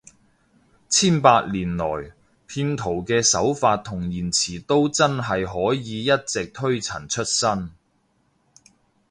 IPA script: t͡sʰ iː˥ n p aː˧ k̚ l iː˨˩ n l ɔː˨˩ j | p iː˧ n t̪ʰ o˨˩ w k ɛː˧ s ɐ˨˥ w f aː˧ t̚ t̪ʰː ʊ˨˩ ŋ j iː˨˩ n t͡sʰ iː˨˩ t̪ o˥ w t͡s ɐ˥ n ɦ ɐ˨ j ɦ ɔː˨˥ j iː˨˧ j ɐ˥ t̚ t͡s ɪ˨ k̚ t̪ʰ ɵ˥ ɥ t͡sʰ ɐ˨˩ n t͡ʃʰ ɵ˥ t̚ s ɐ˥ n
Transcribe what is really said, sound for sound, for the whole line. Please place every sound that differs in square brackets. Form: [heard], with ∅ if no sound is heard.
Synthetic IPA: t͡sʰ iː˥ n p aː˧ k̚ l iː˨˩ n l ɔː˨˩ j | [pʰ] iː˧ n t̪ʰ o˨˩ w k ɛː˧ s ɐ˨˥ w f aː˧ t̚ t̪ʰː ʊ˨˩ ŋ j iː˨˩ n t͡sʰ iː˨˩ t̪ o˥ w t͡s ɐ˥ n ɦ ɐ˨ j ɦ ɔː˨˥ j iː˨˧ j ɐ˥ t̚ t͡s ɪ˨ k̚ t̪ʰ ɵ˥ ɥ t͡sʰ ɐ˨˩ n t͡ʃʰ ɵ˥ t̚ s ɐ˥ n